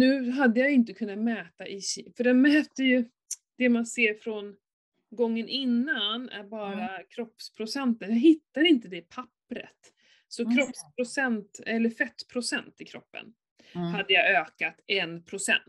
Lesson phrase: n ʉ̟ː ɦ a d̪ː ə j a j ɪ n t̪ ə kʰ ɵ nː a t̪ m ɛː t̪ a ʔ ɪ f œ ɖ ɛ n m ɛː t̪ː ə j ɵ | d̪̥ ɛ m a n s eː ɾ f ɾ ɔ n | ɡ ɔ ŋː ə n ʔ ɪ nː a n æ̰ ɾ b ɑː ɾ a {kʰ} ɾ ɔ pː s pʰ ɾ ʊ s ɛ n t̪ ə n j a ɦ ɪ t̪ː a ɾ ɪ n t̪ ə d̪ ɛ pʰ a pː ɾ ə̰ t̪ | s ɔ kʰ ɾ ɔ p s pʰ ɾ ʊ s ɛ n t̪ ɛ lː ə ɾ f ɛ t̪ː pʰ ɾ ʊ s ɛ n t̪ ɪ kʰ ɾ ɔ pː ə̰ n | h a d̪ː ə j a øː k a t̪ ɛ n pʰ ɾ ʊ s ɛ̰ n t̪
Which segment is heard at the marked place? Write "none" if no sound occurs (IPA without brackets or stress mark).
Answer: kʰ